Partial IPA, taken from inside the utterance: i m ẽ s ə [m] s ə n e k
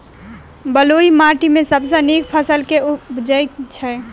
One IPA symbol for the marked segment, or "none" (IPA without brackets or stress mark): b